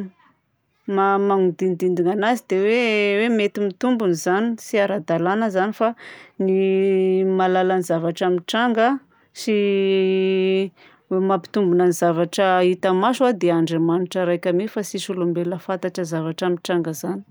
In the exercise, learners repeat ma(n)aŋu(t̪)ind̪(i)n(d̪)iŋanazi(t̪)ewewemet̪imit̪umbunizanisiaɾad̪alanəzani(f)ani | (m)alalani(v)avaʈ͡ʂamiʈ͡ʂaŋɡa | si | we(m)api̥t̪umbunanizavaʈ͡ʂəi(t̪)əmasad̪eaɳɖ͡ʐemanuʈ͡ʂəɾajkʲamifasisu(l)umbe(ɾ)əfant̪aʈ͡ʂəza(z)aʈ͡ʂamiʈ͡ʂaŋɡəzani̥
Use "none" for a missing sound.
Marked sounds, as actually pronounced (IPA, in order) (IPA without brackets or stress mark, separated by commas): m, d̪, i, d̪, d̪, f, m, z, m, t̪, l, l, v